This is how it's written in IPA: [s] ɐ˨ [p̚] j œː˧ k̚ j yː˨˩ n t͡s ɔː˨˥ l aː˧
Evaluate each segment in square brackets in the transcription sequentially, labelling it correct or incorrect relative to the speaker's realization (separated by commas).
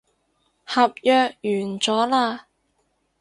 incorrect, correct